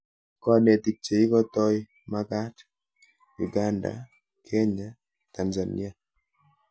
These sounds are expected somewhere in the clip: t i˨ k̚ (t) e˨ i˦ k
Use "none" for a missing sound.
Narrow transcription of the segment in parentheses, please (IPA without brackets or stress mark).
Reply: t͡ʃ